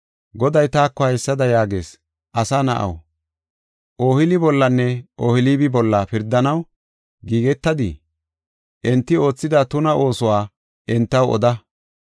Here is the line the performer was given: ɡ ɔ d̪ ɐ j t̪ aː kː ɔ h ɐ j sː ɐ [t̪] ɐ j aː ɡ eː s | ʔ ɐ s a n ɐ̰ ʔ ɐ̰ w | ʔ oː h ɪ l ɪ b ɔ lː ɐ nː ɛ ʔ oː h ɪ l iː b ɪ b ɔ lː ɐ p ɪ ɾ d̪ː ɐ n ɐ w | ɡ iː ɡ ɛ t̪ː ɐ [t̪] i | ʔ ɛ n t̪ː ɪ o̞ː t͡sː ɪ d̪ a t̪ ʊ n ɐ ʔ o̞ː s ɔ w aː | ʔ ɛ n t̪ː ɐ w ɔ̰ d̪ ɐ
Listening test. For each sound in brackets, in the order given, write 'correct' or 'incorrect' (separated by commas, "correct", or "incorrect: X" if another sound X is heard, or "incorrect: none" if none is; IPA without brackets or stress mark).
incorrect: d̪, incorrect: d̪